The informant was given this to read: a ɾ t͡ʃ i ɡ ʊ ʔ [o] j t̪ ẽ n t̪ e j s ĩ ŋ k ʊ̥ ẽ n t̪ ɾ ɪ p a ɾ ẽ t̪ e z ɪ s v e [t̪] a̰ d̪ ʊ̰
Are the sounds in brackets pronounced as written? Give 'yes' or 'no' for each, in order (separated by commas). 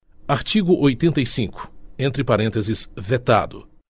yes, yes